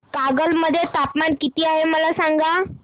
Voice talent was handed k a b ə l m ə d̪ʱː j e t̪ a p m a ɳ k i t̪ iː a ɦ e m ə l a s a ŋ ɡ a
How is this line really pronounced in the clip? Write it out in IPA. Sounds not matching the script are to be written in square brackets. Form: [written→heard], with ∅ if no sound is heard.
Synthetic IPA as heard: k a [b→ɡ] ə l m ə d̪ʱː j e t̪ a p m a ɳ k i t̪ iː a ɦ e m ə l a s a ŋ ɡ a